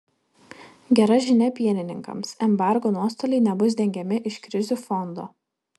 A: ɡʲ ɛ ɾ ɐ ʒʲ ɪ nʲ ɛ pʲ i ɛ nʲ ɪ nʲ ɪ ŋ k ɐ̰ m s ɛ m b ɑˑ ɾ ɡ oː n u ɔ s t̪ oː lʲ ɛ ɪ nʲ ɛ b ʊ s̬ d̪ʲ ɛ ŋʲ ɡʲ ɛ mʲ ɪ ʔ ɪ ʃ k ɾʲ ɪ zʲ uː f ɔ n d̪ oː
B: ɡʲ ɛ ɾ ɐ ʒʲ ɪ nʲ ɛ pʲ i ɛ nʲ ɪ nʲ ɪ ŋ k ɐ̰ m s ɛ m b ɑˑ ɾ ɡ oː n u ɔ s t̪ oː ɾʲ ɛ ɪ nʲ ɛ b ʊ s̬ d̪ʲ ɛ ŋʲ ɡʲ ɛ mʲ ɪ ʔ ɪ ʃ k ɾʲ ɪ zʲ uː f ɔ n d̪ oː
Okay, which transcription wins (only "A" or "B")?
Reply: A